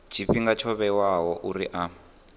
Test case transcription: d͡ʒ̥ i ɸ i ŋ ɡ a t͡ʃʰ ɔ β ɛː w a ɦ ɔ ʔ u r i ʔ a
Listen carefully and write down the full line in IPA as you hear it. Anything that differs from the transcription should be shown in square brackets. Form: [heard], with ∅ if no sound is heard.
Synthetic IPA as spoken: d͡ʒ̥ i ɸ i ŋ ɡ a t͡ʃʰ ɔ β [ɛ] w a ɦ ɔ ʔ u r i ʔ a